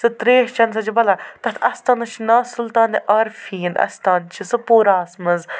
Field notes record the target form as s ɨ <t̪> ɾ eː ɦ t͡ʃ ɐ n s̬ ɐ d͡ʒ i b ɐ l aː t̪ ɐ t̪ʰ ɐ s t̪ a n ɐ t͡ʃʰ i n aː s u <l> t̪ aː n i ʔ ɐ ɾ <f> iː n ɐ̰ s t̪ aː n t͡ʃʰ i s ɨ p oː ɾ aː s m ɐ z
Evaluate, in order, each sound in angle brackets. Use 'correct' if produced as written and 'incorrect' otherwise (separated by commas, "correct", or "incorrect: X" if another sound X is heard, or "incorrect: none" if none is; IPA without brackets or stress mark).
correct, correct, correct